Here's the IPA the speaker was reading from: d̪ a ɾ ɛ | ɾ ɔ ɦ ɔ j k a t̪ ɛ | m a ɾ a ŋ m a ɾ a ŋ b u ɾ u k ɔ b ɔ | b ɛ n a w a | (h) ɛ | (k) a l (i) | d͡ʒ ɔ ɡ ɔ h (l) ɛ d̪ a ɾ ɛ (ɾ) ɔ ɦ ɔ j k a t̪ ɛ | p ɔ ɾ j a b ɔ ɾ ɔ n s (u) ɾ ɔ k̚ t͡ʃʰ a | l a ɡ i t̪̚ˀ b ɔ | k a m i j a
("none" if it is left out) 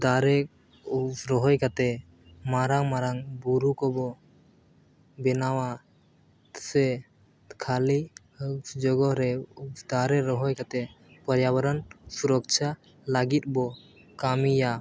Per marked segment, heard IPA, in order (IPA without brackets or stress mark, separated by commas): s, kʰ, i, ɾ, ɾ, u